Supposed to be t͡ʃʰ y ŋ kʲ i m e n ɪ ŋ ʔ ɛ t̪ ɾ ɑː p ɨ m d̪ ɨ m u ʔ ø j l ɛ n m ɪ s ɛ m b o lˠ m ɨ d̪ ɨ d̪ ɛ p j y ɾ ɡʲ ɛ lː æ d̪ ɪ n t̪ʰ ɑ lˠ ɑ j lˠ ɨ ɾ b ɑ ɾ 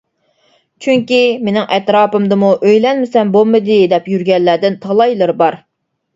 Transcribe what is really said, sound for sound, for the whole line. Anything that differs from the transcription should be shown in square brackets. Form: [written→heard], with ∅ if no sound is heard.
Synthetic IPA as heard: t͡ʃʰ y ŋ kʲ i m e n ɪ ŋ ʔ ɛ t̪ ɾ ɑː p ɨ m d̪ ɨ m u ʔ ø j l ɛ n m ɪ s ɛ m b o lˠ m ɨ d̪ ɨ d̪ ɛ p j y ɾ ɡʲ ɛ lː æ d̪ ɪ n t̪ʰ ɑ lˠ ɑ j lˠ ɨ ɾ b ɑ ɾ